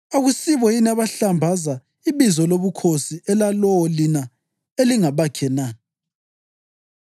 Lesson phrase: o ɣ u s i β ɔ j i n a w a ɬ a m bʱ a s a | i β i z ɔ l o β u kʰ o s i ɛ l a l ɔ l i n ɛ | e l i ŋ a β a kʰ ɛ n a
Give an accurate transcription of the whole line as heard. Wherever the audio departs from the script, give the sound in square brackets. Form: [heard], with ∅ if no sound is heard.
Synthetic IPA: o ɣ u s i β ɔ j i n a [β] a ɬ a m bʱ a [z] a | i β i z ɔ l o β u kʰ o s i ɛ l a l ɔ l i n [a] | e l i ŋ a β a kʰ ɛ n a